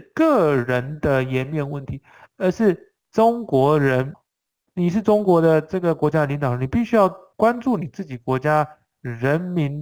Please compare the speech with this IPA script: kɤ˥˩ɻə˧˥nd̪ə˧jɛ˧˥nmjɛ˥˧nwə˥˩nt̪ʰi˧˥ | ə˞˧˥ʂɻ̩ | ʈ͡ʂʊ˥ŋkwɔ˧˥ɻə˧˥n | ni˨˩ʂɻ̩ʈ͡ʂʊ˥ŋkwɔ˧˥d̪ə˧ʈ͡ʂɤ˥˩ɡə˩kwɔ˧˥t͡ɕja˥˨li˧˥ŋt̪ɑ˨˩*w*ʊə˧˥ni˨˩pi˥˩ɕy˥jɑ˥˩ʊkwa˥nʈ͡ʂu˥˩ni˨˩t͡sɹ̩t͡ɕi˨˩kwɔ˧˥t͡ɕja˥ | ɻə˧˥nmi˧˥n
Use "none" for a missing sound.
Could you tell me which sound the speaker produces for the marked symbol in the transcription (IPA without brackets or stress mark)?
none